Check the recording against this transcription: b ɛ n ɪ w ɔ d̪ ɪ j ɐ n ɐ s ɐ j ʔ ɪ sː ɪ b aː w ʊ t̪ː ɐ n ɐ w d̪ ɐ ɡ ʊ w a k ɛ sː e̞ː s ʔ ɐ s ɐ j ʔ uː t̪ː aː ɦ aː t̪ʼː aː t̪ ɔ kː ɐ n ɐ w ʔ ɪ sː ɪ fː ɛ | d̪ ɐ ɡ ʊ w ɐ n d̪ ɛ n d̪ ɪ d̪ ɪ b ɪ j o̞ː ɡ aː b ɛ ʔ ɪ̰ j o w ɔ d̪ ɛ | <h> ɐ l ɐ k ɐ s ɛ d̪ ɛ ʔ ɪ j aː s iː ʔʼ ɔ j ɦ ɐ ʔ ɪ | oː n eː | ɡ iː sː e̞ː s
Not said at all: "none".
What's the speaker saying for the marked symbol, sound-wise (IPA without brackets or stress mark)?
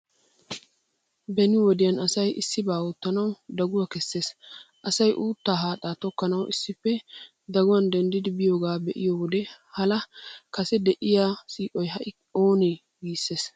h